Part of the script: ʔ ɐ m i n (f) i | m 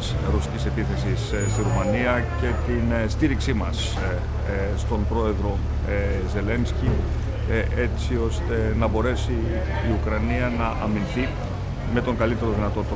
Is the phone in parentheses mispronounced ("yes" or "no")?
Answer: yes